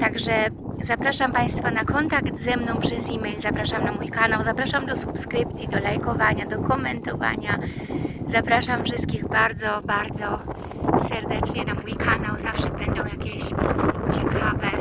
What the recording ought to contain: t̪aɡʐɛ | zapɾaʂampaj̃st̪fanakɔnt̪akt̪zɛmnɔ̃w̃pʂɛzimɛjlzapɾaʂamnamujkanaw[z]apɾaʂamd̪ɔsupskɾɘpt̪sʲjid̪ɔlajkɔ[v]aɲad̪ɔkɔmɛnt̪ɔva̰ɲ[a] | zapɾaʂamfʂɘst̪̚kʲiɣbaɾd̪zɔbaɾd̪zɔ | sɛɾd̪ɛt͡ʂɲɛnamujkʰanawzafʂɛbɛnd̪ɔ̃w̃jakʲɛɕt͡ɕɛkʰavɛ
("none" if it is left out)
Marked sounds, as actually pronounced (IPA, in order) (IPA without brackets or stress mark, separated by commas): z, v, a